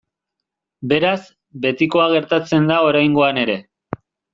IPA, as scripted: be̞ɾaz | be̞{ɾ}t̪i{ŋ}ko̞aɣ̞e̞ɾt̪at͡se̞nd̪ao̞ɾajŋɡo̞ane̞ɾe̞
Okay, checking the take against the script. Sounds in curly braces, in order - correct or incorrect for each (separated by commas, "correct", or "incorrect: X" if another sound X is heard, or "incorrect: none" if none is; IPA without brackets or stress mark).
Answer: incorrect: none, incorrect: none